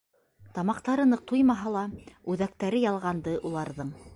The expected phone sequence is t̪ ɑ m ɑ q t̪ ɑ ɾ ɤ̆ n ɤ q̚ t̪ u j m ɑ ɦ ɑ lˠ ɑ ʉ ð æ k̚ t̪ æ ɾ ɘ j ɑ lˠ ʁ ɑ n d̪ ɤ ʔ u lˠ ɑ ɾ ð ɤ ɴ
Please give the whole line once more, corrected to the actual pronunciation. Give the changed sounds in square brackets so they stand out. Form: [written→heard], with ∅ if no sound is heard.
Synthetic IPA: t̪ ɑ m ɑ q t̪ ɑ ɾ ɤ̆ n ɤ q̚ t̪ u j m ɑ ɦ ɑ lˠ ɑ ʉ ð æ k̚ t̪ æ ɾ ɘ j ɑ lˠ ʁ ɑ n d̪ ɤ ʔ u lˠ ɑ ɾ ð ɤ ɴ